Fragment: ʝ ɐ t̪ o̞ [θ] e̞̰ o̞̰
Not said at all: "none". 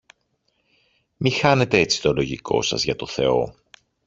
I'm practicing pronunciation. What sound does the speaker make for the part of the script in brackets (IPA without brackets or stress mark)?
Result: θ